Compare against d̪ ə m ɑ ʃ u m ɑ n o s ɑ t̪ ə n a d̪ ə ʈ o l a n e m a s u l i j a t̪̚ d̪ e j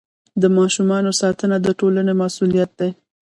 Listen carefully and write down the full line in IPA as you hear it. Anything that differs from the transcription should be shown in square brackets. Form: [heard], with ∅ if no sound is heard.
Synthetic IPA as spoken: d̪ ə m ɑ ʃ u m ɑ n o s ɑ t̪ ə n a d̪ ə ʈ o l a n e m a s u l i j a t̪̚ d̪ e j